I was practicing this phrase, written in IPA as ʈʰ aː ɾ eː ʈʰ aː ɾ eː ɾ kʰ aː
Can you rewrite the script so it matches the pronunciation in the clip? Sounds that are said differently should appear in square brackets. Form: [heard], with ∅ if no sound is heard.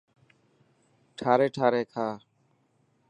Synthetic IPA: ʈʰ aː ɾ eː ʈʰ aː ɾ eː [∅] kʰ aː